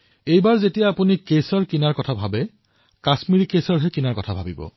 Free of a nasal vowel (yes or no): yes